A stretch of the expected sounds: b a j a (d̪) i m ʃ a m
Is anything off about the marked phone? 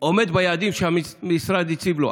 no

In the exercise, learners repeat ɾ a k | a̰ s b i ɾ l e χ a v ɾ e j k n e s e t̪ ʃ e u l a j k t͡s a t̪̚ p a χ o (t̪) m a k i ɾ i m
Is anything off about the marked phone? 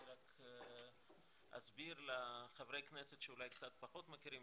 no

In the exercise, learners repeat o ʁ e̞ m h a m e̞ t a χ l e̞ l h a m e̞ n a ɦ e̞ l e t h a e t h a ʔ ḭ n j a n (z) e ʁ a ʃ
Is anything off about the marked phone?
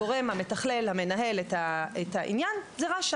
no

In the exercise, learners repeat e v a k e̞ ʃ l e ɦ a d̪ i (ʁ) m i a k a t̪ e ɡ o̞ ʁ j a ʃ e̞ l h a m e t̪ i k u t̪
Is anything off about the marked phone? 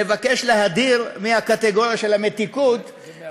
no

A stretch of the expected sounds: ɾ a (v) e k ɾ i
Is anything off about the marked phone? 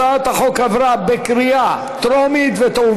yes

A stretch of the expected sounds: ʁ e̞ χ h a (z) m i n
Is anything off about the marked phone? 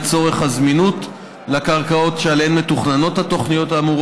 no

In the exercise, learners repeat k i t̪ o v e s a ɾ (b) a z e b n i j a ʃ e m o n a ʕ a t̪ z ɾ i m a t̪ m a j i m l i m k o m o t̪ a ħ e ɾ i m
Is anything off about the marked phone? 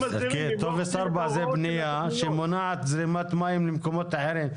no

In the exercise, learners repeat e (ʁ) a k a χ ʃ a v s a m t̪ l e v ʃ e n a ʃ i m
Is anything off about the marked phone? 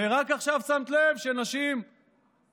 no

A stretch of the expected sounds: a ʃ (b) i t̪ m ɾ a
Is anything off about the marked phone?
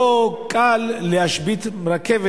no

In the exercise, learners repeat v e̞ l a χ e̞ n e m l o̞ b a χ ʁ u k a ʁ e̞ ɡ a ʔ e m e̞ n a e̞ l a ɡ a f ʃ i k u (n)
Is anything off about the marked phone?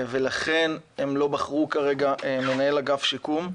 yes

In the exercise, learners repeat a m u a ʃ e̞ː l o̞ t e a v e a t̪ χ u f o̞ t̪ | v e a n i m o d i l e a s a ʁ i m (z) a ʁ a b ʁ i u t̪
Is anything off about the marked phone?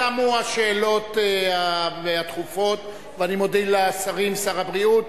yes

